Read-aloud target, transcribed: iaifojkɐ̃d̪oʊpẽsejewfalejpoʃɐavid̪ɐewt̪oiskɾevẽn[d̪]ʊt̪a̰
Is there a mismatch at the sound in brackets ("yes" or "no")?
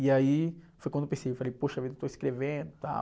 no